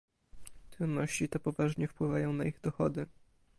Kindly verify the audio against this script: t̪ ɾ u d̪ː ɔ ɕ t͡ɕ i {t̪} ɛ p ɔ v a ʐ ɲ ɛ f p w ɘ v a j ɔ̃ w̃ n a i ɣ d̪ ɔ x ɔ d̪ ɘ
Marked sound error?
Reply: no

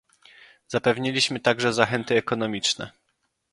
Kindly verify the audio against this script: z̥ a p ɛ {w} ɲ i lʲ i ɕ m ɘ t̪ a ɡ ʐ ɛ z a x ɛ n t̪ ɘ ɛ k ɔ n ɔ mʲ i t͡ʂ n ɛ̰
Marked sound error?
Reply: yes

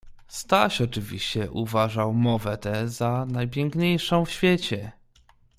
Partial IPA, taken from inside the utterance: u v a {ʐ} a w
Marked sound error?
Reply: no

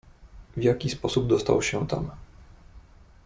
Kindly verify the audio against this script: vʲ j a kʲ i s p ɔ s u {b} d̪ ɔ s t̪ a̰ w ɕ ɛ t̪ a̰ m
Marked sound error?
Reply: no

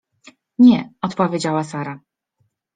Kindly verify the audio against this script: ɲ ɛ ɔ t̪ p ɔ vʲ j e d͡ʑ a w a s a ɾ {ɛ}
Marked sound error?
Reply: yes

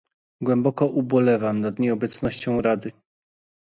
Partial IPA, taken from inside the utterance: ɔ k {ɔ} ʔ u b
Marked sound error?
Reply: no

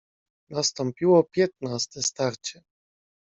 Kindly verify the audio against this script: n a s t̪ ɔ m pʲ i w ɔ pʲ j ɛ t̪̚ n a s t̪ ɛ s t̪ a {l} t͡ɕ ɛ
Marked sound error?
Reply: yes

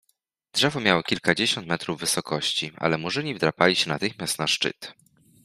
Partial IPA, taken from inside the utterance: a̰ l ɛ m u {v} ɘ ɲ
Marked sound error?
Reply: yes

